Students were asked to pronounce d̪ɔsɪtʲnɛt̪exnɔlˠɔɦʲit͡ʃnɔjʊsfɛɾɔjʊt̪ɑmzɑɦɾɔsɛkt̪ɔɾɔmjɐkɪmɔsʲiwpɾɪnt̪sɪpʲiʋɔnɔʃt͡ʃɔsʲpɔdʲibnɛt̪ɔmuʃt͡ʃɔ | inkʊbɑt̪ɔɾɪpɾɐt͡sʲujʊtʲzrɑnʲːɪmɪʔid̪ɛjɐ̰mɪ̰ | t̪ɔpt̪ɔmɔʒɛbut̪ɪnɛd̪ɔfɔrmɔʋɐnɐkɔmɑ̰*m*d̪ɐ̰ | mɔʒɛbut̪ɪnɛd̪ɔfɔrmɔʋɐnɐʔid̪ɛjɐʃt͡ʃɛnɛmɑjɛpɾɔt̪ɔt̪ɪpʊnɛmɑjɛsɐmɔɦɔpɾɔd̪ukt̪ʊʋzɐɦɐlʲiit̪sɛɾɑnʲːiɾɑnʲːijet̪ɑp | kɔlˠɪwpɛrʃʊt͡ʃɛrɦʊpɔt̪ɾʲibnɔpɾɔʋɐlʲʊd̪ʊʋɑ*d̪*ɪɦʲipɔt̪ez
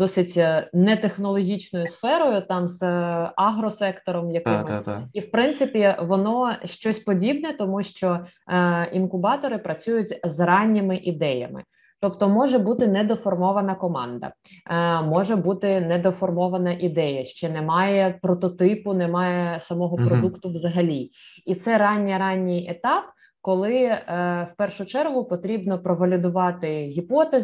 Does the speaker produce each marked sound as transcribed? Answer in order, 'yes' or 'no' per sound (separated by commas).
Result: no, no